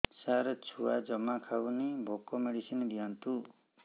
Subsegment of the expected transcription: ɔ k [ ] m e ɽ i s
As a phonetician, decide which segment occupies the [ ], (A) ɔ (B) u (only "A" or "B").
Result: A